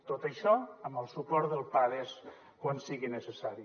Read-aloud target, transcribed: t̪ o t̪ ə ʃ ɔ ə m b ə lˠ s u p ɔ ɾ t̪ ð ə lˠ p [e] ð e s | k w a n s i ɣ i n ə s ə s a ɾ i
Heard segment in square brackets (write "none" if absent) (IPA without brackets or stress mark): a